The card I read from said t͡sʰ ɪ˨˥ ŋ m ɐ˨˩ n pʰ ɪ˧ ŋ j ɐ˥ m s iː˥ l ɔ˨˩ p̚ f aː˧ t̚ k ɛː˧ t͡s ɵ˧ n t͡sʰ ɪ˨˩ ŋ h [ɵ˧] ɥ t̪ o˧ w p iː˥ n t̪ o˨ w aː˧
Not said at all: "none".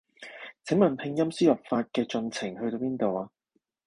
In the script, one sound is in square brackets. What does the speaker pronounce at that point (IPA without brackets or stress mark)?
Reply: ɵ˧